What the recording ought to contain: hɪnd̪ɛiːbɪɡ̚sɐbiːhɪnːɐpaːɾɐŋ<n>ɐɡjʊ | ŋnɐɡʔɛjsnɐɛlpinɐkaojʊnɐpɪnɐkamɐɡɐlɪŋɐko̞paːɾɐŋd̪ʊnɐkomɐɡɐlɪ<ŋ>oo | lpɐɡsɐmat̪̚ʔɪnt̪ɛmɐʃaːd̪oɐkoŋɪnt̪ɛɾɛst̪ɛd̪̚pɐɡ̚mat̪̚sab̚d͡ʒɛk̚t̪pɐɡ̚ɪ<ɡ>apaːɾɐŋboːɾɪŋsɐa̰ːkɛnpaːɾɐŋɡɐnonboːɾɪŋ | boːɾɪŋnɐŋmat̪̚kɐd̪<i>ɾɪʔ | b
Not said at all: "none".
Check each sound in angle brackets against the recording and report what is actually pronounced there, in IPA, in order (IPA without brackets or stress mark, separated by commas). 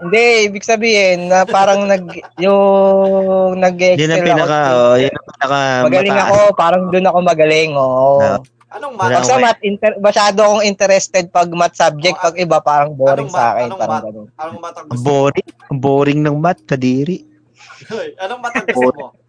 n, ŋ, b, iː